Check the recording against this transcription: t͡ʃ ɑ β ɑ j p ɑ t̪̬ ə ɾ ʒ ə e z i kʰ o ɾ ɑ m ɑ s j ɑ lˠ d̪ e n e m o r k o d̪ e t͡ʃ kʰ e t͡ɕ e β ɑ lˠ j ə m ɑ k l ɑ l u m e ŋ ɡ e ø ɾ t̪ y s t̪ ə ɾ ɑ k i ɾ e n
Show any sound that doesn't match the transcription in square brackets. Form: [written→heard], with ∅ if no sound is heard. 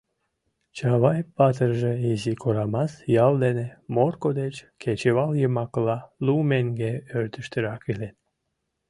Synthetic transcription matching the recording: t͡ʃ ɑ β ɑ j p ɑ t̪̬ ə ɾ ʒ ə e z i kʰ o ɾ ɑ m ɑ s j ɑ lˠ d̪ e n e m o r k o d̪ e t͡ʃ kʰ e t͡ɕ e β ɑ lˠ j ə m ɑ k l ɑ l u m e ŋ ɡ e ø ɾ t̪ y [s→ʃ] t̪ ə ɾ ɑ k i [ɾ→l] e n